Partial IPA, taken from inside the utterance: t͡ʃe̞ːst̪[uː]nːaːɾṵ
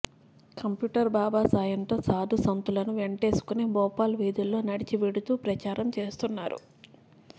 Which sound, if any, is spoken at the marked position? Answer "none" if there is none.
u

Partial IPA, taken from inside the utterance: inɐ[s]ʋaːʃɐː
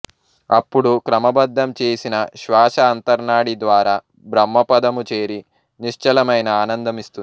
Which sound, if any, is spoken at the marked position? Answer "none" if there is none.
ʃ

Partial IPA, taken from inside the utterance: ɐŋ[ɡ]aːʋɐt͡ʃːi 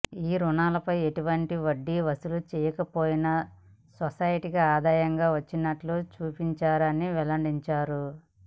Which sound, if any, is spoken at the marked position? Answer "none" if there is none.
ɡ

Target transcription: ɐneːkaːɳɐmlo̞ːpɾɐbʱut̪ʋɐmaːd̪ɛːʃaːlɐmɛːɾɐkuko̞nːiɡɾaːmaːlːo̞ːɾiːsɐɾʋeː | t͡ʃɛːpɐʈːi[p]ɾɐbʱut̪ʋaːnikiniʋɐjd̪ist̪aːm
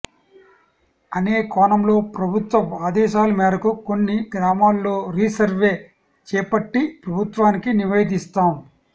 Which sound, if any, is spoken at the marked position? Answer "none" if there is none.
p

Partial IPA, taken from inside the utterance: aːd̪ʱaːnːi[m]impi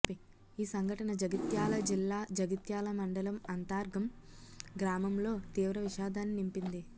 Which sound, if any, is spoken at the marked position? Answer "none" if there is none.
n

